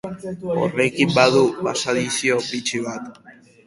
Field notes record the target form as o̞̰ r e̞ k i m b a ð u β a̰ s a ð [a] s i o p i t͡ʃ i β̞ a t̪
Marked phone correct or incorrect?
incorrect